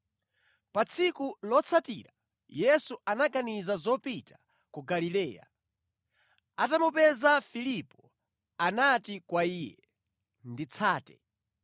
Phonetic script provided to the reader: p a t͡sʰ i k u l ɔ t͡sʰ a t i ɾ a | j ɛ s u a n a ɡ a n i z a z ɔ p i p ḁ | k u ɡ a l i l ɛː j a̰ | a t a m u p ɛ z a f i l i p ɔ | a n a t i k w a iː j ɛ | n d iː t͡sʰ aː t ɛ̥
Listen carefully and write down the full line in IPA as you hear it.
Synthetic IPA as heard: p a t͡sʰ i k u l ɔ t͡sʰ a t i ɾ a | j ɛ s u a n a ɡ a n i z a z ɔ p i t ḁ | k u ɡ a l i l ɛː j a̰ | a t a m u p ɛ z a f i l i p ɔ | a n a t i k w a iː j ɛ | n d i t͡sʰ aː t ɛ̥